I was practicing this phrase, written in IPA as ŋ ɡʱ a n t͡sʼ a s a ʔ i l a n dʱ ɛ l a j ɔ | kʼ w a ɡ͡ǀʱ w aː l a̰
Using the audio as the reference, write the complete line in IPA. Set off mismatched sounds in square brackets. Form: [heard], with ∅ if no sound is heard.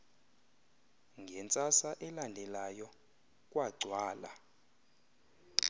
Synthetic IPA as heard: ŋ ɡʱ [ɛ] n t͡sʼ a s a ʔ [ɛ] l a n dʱ ɛ l a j ɔ | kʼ w a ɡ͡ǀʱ w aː l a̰